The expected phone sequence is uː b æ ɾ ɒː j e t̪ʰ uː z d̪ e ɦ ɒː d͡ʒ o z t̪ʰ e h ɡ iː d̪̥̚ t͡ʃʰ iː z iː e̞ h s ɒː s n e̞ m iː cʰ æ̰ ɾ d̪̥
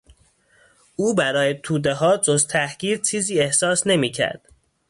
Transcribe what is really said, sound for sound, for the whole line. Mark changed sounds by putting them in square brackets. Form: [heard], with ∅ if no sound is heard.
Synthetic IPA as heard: uː b æ ɾ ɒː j e t̪ʰ uː [∅] d̪ e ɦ ɒː d͡ʒ o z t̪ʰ [æ] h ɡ iː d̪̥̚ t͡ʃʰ iː z iː e̞ h s ɒː s n e̞ m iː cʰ æ̰ ɾ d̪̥